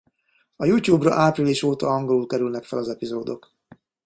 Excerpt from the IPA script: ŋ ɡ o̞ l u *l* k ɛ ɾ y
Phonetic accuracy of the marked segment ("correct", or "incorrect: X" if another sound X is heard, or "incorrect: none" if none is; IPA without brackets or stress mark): correct